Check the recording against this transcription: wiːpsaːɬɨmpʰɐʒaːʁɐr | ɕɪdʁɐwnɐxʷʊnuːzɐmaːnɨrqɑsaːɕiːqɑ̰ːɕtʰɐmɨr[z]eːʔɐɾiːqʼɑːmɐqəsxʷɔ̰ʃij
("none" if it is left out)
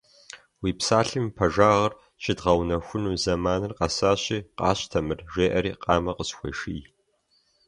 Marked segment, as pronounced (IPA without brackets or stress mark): ʒ